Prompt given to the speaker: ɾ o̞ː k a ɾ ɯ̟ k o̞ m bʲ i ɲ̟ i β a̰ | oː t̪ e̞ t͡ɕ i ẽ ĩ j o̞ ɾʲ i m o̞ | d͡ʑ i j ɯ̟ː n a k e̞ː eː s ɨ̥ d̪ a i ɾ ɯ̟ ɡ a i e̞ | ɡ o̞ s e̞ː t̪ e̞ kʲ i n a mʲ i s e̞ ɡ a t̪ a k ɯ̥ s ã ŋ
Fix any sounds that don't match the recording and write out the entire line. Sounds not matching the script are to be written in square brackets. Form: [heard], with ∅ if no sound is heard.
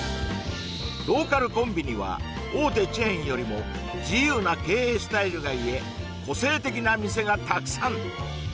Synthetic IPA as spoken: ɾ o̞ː k a ɾ ɯ̟ k [õ̞] m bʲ i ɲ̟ i β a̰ | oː t̪ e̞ t͡ɕ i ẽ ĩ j o̞ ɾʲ i m o̞ | d͡ʑ i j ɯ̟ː n a k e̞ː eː s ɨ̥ [t̪] a i ɾ ɯ̟ ɡ a i e̞ | [k] o̞ s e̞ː t̪ e̞ kʲ i n a mʲ i s e̞ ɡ a t̪ a k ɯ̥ s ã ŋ

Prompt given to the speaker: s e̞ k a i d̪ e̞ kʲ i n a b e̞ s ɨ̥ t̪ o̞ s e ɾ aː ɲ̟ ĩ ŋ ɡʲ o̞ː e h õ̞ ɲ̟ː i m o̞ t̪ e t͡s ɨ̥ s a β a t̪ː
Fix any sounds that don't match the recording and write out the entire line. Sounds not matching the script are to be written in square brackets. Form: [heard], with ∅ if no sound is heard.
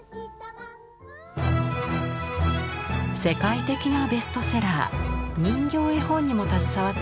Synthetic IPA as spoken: s e̞ k a i [t̪] e̞ kʲ i n a b e̞ s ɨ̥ t̪ o̞ s e ɾ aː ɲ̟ ĩ ŋ ɡʲ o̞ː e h õ̞ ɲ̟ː i m o̞ t̪ [a] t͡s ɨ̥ s a β a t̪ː

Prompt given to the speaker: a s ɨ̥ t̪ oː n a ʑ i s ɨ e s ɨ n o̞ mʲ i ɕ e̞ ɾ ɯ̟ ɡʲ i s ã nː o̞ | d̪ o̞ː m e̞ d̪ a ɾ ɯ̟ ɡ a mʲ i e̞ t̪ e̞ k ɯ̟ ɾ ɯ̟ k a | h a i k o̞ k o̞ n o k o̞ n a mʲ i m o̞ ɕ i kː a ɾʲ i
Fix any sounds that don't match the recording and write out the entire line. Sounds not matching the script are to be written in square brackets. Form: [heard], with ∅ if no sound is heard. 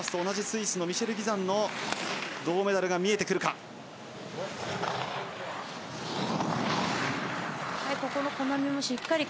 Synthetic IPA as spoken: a s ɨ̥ t̪ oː n a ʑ i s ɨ [i] s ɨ n o̞ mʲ i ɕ e̞ ɾ ɯ̟ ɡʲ i [z] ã nː o̞ | d̪ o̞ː m e̞ d̪ a ɾ ɯ̟ ɡ a mʲ i e̞ t̪ e̞ k ɯ̟ ɾ ɯ̟ k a | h a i k o̞ k o̞ n o k o̞ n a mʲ i m o̞ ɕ i kː a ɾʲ i

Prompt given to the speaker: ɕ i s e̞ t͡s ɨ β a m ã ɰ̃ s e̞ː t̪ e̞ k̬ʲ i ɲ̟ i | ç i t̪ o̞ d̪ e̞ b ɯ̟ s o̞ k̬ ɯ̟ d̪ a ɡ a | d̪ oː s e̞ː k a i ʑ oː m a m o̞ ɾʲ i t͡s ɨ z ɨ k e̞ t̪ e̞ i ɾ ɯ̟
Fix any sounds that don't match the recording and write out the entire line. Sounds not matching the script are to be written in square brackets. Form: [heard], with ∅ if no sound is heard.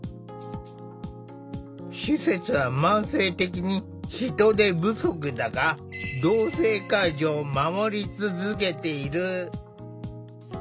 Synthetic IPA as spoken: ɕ i s e̞ t͡s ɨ β a m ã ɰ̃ s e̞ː t̪ e̞ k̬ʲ i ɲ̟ i | ç i t̪ o̞ d̪ e̞ b ɯ̟ s o̞ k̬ ɯ̟ d̪ a ɡ a | d̪ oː s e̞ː k a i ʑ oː m a m o̞ ɾʲ i t͡s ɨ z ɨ k e̞ t̪ e̞ i ɾ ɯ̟

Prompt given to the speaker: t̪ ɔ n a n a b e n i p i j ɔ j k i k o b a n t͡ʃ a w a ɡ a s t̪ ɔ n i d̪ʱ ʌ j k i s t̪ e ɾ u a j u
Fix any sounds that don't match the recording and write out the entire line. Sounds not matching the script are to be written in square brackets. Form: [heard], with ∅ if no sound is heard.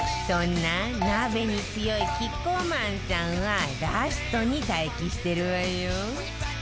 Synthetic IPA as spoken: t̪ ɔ n a n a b e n i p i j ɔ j k i k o [m] a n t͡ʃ a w a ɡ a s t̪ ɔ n i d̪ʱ [a] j k i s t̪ e ɾ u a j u

